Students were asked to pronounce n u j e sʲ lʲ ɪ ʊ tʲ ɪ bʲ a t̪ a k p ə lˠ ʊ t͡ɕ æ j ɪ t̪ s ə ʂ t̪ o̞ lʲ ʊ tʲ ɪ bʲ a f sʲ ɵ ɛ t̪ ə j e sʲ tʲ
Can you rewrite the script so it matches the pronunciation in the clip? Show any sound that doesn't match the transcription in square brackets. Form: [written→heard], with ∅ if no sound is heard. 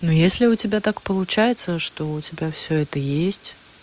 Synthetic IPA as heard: n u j e sʲ lʲ ɪ ʊ tʲ ɪ bʲ a t̪ a k p ə lˠ ʊ t͡ɕ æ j ɪ t̪ s ə ʂ t̪ o̞ [lʲ→∅] ʊ tʲ ɪ bʲ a f sʲ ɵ ɛ t̪ ə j e sʲ tʲ